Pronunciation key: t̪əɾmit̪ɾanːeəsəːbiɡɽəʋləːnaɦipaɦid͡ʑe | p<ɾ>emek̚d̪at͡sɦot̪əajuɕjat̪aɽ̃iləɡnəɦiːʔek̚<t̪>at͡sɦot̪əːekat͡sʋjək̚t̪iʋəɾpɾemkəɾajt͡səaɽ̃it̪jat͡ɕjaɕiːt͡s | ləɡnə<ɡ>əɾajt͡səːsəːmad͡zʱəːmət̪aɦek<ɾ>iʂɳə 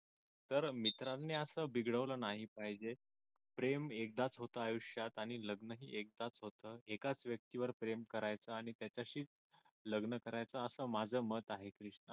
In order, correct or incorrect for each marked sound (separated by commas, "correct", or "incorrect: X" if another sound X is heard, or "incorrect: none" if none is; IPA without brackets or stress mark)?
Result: correct, incorrect: d̪, incorrect: k, correct